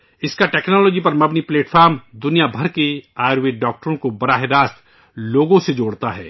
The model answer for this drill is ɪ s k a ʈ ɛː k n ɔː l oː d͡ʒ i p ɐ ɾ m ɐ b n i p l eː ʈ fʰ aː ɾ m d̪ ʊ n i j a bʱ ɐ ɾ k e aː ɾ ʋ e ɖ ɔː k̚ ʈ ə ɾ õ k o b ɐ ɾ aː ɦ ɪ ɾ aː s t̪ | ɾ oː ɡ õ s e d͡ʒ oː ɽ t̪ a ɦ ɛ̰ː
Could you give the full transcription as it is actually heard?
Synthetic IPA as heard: ɪ s k a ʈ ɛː k n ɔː l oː d͡ʒ i p ɐ ɾ m ɐ b n i p l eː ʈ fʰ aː ɾ m d̪ ʊ n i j a bʱ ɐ ɾ k e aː ɾ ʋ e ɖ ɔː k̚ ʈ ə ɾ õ k o b ɐ ɾ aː ɦ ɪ ɾ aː s t̪ | l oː ɡ õ s e d͡ʒ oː ɽ t̪ a ɦ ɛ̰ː